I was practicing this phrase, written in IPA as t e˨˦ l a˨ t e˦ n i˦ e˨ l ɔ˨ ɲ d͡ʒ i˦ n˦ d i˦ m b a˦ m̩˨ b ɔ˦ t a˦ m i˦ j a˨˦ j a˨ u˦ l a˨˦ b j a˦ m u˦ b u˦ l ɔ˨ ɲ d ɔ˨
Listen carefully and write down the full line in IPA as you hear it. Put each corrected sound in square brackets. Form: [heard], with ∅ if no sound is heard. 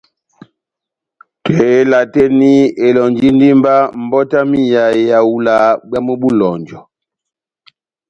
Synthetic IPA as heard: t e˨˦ l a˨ t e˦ n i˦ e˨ l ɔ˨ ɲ d͡ʒ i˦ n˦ d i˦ m b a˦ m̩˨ b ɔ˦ t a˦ m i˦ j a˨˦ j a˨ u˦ l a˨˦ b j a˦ m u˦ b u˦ l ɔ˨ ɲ [d͡ʒ] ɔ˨